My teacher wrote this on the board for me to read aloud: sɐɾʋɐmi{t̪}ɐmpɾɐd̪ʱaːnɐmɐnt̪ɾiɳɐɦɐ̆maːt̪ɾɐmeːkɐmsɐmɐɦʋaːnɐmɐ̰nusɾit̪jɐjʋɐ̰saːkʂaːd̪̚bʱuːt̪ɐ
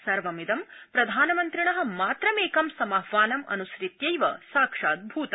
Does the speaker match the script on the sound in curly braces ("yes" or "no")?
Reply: no